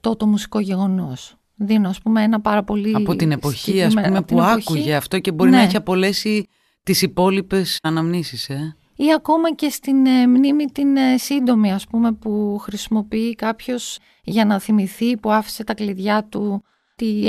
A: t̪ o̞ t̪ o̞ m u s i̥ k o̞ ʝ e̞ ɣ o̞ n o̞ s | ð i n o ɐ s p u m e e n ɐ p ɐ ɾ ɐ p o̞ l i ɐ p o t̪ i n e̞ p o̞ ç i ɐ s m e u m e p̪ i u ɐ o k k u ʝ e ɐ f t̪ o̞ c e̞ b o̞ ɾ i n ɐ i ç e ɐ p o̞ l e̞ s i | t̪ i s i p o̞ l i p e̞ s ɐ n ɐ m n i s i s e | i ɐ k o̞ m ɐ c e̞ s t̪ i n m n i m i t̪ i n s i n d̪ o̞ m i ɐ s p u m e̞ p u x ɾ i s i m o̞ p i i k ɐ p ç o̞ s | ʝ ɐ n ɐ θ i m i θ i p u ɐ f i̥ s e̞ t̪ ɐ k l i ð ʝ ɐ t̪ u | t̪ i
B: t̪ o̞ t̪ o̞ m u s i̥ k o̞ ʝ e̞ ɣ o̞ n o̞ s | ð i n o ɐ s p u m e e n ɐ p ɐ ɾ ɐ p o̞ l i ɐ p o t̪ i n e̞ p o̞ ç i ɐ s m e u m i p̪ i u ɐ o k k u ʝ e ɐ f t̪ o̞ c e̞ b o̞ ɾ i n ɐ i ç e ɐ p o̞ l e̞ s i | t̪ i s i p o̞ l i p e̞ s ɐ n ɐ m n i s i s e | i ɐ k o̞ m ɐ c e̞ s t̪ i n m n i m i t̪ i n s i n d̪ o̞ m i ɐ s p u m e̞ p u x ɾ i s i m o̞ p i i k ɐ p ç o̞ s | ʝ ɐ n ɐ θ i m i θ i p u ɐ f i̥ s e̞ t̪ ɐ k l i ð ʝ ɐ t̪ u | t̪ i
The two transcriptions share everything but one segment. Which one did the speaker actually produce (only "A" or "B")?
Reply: A